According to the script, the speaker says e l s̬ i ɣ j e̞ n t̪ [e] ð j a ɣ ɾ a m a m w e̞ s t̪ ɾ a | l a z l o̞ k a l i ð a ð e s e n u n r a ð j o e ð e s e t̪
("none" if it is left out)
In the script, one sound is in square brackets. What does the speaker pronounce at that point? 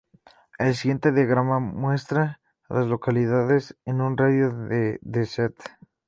e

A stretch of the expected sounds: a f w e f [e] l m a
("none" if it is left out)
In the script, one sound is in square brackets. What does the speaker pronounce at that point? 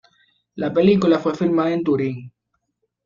i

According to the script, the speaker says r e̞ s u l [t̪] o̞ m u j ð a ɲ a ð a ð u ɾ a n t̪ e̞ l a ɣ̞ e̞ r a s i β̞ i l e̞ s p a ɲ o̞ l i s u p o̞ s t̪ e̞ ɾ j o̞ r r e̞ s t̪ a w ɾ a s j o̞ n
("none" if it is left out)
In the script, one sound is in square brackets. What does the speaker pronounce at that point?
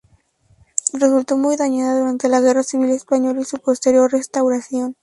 t̪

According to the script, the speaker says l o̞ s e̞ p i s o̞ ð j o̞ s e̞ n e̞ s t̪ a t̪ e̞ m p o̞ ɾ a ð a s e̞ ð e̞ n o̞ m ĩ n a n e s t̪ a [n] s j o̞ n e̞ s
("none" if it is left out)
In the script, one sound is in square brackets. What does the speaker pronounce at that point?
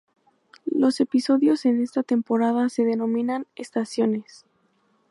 none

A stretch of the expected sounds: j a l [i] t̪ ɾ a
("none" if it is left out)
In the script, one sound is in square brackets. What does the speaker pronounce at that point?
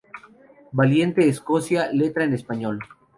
e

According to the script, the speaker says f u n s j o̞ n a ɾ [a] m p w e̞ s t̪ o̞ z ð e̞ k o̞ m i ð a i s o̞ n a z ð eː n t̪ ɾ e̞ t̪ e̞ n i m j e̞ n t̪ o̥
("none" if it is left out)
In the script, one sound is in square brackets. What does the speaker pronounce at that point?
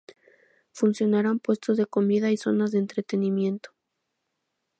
a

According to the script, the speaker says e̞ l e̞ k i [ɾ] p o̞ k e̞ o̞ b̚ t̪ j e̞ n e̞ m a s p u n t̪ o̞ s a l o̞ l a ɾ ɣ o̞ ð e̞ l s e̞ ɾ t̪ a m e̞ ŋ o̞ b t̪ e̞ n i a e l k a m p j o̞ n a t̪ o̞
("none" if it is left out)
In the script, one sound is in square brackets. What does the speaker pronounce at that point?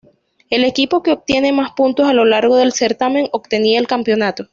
none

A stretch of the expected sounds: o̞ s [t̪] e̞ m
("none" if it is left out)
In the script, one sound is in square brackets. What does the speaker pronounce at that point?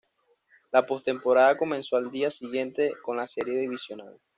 t̪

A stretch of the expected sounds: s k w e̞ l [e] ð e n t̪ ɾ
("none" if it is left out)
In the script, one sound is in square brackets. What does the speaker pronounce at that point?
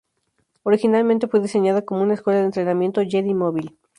a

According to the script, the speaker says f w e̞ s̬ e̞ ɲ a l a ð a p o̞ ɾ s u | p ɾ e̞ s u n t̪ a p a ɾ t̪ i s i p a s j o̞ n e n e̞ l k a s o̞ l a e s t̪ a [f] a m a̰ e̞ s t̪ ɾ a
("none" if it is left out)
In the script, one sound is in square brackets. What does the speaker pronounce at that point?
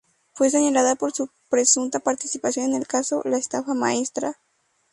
f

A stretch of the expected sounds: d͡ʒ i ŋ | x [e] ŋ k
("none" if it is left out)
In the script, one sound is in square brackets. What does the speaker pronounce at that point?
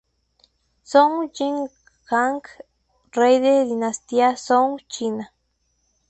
a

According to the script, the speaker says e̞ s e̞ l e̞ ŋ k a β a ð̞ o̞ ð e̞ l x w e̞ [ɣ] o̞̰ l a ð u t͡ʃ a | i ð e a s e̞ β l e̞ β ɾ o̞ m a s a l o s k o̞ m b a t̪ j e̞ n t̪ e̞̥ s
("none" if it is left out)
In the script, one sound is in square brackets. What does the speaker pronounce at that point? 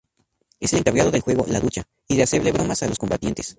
ɣ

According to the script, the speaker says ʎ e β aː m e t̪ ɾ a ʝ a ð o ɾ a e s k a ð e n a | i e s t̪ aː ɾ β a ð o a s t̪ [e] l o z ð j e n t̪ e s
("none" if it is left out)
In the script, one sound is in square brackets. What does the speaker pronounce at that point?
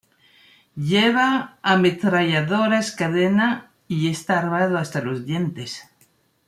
a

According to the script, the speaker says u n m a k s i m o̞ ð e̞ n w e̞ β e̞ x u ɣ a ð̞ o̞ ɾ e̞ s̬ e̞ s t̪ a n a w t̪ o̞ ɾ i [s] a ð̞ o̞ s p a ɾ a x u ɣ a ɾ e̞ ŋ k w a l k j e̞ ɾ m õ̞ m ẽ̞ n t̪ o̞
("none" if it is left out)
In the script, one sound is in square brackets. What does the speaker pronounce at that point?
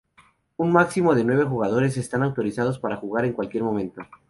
s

